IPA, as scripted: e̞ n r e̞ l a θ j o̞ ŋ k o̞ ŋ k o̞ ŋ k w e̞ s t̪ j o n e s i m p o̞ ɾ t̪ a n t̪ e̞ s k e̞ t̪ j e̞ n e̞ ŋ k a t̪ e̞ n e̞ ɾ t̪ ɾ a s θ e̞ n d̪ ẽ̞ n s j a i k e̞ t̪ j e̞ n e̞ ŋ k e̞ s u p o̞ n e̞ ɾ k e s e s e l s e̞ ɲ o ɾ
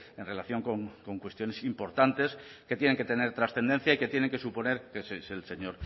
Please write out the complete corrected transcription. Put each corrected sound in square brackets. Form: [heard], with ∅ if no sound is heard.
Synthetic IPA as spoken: e̞ n r e̞ l a θ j o̞ ŋ k o̞ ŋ k o̞ ŋ k w e̞ s t̪ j o n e s i m p o̞ ɾ t̪ a n t̪ e̞ s k e̞ t̪ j e̞ n e̞ ŋ k [e] t̪ e̞ n e̞ ɾ t̪ ɾ a s θ e̞ n d̪ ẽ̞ n [θ] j a i k e̞ t̪ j e̞ n e̞ ŋ k e̞ s u p o̞ n e̞ ɾ k e s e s e l s e̞ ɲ o ɾ